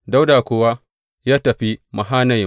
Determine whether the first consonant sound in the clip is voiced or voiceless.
voiced